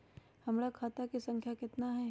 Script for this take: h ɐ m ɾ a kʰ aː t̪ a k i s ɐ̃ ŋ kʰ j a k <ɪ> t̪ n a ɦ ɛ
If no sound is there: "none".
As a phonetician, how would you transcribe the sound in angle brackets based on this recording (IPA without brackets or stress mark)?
ɪ